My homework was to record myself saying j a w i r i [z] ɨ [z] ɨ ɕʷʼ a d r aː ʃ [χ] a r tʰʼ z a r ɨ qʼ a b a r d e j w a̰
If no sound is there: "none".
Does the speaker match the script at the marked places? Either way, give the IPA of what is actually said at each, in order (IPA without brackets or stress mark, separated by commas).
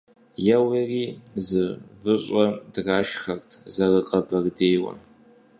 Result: z, v, χ